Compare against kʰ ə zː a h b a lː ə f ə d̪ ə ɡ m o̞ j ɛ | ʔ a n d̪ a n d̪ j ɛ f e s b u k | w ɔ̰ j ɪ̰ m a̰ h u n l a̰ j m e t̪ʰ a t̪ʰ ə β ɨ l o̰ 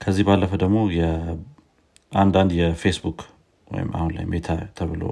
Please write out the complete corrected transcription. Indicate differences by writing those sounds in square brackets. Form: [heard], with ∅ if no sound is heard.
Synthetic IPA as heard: kʰ ə zː [i] h b a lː ə f ə d̪ ə ɡ m o̞ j ɛ | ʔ a n d̪ a n d̪ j ɛ f e s b u k | w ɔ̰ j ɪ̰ m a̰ h u n l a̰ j m e t̪ʰ a t̪ʰ ə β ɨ l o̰